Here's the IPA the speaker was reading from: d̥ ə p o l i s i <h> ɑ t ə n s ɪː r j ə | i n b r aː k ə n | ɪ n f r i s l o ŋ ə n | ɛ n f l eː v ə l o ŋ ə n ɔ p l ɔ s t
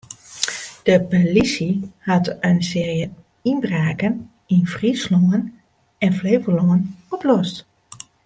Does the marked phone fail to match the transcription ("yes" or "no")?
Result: no